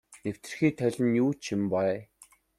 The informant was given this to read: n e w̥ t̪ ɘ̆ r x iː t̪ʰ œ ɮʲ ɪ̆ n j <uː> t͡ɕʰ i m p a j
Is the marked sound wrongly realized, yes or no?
no